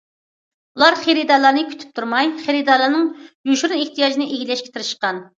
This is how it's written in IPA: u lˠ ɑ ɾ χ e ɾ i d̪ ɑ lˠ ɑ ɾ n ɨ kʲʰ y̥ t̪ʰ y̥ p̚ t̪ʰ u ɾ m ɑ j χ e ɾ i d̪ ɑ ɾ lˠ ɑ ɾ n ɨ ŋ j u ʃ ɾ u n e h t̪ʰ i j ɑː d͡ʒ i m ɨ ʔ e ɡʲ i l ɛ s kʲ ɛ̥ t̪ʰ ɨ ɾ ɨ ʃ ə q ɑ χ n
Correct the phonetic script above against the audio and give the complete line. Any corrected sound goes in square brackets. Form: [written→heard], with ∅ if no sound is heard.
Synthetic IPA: u lˠ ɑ ɾ χ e ɾ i d̪ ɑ lˠ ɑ ɾ n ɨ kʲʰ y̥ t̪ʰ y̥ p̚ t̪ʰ u ɾ m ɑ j χ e ɾ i d̪ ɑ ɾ lˠ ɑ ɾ n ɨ ŋ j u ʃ ɾ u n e h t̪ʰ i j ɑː d͡ʒ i [m→n] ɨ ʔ e ɡʲ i l ɛ [s→ʃ] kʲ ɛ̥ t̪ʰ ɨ ɾ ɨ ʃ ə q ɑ [χ→∅] n